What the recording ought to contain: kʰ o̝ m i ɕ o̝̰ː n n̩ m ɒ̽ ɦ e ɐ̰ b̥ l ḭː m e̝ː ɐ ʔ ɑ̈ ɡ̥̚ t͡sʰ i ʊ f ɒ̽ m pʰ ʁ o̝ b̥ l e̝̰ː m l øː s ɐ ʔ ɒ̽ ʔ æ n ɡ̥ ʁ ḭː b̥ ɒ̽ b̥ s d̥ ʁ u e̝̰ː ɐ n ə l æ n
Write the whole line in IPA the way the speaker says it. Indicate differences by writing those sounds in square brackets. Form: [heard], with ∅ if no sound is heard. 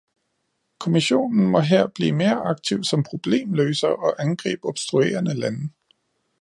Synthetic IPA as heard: kʰ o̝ m i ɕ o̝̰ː n n̩ m ɒ̽ ɦ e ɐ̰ b̥ l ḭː m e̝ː ɐ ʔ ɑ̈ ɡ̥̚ t͡sʰ i ʊ [s] ɒ̽ m pʰ ʁ o̝ b̥ l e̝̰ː m l øː s ɐ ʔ ɒ̽ ʔ æ n ɡ̥ ʁ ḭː b̥ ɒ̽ b̥ s d̥ ʁ u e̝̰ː ɐ n ə l æ n